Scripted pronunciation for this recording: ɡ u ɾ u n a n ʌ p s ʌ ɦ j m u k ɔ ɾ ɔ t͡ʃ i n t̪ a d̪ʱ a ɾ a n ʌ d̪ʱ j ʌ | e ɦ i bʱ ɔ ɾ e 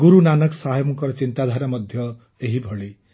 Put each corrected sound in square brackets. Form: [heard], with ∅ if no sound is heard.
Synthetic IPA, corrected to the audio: ɡ u ɾ u n a n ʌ [k] s [a] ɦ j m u k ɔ ɾ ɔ t͡ʃ i n t̪ a d̪ʱ a ɾ a [m] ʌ d̪ʱ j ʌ | e ɦ i bʱ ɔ [ɭ] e